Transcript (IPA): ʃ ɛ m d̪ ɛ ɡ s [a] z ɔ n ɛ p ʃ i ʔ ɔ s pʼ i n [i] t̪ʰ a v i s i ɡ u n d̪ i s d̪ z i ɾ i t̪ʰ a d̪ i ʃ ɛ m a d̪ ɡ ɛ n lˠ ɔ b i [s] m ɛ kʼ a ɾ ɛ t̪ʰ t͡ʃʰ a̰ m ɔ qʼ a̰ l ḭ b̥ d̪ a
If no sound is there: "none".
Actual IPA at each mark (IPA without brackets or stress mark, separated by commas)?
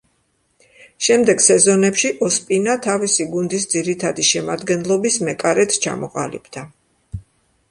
ɛ, a, s